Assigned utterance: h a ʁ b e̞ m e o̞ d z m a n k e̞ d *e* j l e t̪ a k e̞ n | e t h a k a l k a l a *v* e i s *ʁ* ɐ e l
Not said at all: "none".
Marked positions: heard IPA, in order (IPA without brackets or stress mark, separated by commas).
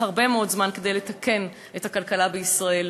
e, b, ʁ